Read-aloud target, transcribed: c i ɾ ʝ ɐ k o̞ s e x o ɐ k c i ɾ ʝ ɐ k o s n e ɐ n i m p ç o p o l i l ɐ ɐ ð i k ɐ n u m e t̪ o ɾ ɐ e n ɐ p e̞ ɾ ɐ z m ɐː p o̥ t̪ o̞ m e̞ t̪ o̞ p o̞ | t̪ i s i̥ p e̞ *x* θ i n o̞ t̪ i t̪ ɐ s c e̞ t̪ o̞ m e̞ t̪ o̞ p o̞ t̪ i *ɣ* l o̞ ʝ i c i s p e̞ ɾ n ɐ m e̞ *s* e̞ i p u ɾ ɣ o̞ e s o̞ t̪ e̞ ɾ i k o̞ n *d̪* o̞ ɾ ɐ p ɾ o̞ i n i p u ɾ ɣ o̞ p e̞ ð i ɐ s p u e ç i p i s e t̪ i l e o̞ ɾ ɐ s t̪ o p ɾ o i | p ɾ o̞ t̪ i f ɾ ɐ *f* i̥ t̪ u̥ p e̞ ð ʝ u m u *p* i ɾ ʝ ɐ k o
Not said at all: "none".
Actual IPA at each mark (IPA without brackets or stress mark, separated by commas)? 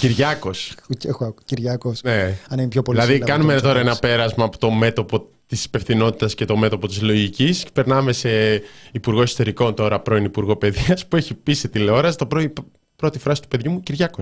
f, z, s, t̪, s, c